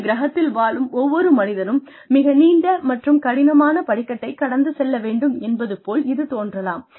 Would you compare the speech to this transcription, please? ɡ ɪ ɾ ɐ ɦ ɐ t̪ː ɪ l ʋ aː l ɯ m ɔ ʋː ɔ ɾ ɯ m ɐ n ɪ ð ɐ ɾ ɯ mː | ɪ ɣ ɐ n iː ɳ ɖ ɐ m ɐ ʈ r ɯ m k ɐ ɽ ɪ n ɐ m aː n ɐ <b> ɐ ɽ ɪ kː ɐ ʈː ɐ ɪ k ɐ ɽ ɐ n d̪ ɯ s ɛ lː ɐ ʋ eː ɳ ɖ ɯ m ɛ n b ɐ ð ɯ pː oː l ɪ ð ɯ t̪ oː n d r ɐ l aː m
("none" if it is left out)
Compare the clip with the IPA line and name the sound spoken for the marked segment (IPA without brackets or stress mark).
p